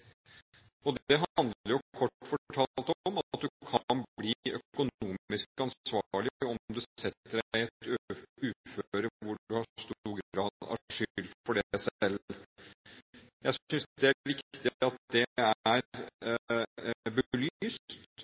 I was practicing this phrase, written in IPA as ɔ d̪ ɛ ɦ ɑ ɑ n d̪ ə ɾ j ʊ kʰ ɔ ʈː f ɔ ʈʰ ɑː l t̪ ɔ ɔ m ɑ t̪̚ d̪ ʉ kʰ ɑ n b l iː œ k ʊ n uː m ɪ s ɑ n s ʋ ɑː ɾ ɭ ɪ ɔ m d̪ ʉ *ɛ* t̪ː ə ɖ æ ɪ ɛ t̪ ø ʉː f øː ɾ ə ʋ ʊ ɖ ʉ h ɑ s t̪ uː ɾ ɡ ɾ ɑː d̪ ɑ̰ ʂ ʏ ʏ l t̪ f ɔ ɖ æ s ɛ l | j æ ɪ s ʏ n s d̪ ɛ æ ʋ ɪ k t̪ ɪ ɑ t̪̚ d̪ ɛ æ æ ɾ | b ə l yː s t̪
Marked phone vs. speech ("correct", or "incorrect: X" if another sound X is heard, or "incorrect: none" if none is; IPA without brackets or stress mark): correct